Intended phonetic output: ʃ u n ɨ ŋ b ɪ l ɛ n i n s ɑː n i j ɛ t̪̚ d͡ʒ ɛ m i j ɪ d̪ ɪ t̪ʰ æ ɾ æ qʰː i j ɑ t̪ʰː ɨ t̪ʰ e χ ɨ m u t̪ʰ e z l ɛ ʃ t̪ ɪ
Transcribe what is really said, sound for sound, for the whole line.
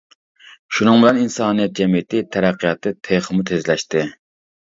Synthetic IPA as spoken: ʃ u n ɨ ŋ b ɪ l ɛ n i n s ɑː n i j ɛ t̪̚ d͡ʒ ɛ m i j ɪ t̪ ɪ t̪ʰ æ ɾ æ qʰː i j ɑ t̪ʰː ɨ t̪ʰ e χ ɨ m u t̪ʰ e z l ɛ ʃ t̪ ɪ